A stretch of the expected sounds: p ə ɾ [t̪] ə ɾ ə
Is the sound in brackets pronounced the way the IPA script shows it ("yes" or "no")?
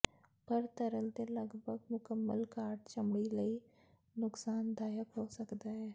yes